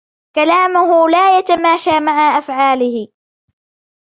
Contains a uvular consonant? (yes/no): no